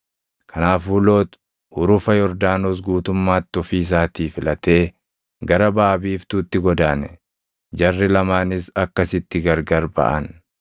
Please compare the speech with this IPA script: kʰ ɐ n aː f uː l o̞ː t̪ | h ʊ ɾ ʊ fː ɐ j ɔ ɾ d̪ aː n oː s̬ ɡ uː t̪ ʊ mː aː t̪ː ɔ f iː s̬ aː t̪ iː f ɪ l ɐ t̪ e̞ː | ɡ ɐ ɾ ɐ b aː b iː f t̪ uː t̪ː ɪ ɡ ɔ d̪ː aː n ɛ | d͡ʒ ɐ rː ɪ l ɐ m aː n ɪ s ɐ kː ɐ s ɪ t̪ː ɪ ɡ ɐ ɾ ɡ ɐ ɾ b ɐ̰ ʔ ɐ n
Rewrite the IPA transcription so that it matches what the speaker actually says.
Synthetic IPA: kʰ ɐ n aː f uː l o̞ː t̪ | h ʊ ɾ ʊ f ɐ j ɔ ɾ d̪ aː n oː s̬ ɡ uː t̪ ʊ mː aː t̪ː ɔ f iː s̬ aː t̪ iː f ɪ l ɐ t̪ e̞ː | ɡ ɐ ɾ ɐ b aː b iː f t̪ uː t̪ː ɪ ɡ ɔ d̪ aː n ɛ | d͡ʒ ɐ rː ɪ l ɐ m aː n ɪ s ɐ kː ɐ s ɪ t̪ː ɪ ɡ ɐ ɾ ɡ ɐ ɾ b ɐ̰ ʔ ɐ n